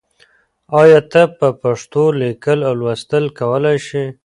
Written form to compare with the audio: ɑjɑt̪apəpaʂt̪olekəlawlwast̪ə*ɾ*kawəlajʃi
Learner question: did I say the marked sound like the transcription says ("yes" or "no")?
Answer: no